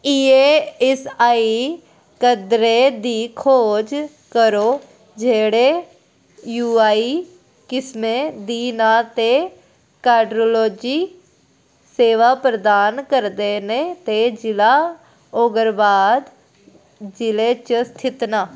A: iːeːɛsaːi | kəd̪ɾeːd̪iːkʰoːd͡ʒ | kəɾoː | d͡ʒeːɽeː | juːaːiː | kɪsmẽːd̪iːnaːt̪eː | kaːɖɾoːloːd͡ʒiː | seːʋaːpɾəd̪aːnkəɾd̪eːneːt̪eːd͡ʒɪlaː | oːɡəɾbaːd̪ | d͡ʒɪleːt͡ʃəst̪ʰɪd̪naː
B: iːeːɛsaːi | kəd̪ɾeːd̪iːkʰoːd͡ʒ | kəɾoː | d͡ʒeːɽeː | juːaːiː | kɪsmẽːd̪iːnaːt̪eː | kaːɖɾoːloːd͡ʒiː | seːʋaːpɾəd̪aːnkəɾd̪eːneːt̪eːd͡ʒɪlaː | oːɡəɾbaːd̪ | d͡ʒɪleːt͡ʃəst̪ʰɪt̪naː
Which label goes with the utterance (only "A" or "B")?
B